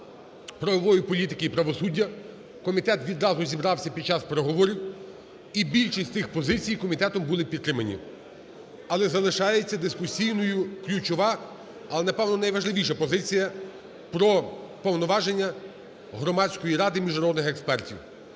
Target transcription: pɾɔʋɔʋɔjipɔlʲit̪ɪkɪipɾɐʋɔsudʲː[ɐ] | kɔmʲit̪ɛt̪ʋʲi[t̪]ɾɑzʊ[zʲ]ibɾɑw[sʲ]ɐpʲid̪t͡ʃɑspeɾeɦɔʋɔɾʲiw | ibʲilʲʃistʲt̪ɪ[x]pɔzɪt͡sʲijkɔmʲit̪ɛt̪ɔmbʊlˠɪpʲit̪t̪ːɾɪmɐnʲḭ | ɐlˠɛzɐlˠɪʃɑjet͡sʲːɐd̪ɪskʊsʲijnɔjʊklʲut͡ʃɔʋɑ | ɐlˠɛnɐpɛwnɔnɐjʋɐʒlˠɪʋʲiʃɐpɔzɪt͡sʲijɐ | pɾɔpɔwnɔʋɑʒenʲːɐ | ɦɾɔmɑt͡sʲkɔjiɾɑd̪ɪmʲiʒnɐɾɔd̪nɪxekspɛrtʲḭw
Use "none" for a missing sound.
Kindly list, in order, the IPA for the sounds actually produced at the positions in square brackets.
ɐ, d̪, zʲ, sʲ, x

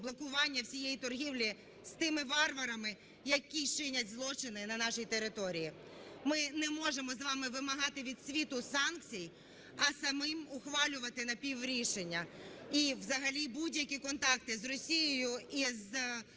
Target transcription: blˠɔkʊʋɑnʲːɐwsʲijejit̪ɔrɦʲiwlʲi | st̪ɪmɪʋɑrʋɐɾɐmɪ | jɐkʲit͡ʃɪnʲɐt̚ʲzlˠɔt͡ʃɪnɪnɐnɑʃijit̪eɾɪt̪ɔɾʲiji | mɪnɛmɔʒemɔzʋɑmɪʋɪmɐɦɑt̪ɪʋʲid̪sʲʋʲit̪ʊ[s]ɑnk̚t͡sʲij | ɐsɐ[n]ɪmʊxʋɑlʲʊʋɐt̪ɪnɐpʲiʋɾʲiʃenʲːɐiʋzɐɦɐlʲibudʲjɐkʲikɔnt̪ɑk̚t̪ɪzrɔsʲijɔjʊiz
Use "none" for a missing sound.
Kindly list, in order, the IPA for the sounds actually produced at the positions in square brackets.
s, m

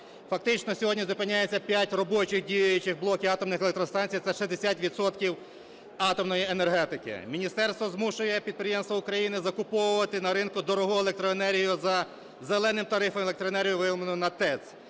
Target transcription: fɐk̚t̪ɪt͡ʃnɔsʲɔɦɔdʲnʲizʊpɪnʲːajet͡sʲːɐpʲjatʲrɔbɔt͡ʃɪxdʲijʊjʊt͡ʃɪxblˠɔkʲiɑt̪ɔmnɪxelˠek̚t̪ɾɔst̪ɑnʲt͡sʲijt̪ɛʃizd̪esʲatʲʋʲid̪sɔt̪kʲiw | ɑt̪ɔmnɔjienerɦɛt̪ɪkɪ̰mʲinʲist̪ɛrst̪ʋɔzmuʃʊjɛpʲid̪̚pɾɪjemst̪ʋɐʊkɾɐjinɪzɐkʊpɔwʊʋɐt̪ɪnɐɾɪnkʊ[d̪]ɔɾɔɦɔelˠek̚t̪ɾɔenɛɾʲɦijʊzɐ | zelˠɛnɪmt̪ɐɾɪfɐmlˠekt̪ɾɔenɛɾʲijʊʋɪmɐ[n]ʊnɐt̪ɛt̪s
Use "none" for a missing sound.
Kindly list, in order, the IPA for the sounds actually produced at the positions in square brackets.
d̪, n

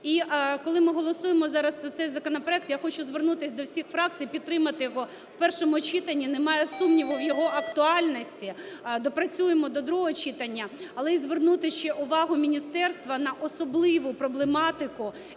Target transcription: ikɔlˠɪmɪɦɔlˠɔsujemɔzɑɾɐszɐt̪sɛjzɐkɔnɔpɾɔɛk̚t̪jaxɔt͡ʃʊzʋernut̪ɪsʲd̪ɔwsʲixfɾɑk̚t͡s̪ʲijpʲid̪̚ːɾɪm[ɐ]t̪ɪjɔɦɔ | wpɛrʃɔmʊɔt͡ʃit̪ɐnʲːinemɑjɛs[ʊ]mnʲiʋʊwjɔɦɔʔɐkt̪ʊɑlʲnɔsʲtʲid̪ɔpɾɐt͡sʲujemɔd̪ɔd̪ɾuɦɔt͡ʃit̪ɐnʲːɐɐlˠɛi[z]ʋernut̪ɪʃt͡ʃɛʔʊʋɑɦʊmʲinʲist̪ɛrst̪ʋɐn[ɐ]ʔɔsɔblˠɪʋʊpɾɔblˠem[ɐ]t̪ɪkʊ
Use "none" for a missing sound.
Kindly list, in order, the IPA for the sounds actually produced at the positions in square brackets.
ɐ, u, z, ɐ, ɑ

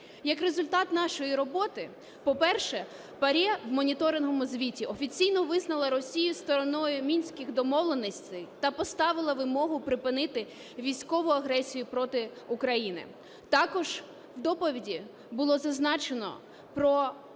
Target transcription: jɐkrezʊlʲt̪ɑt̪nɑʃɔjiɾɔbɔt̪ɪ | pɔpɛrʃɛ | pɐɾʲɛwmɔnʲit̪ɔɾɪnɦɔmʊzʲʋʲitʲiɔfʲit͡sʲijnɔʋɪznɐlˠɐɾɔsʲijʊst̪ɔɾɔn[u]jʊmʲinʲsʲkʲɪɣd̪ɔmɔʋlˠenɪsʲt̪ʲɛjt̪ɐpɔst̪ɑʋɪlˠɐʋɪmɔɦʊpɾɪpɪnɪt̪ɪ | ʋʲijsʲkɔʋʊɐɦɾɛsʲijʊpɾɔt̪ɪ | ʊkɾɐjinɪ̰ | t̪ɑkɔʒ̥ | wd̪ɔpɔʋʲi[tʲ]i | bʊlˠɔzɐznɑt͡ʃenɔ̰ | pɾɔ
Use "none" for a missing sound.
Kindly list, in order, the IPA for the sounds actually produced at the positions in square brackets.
ɔ, dʲ

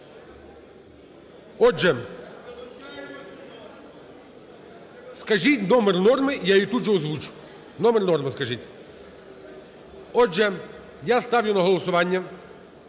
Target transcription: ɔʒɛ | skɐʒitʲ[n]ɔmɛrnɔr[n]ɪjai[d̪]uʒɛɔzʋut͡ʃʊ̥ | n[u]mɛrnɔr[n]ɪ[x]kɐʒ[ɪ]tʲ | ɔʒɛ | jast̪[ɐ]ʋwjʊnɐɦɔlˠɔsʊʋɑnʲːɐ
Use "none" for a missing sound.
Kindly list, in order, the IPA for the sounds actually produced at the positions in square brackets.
n, m, t̪, ɔ, m, s, i, ɑ

